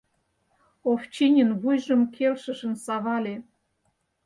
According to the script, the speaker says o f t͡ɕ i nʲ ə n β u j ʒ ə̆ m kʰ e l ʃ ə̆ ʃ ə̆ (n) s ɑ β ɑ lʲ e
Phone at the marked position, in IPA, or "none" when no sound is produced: n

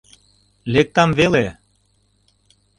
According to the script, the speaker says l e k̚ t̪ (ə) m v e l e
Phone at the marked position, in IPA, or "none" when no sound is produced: ɑ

